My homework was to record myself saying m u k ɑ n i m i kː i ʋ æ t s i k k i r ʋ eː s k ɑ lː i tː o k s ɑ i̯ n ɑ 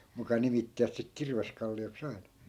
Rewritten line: m u k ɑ n i m i tː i ʋ æ t s i k k i r ʋ e s k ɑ lː i o k s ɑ i̯ n ɑ